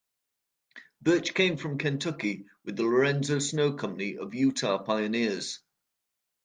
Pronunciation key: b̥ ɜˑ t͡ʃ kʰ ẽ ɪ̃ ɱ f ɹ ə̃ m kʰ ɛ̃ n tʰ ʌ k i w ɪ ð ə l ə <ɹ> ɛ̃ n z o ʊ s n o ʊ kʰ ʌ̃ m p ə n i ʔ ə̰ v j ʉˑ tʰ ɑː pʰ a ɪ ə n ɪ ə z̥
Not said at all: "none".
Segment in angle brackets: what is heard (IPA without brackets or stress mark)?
ɹ